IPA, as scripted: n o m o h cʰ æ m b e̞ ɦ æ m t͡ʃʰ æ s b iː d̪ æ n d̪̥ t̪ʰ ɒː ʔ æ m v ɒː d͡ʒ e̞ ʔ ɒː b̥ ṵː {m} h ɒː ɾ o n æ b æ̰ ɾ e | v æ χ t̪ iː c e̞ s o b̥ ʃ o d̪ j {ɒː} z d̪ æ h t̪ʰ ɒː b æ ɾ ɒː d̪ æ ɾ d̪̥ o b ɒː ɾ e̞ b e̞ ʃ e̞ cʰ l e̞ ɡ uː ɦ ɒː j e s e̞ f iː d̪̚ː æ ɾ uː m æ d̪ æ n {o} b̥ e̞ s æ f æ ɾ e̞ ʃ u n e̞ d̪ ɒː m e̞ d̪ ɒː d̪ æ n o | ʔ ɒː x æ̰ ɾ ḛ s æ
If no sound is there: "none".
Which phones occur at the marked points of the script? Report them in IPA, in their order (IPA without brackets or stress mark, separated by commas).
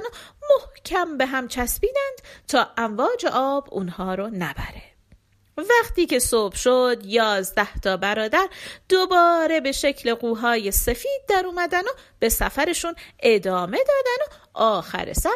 n, ɒː, o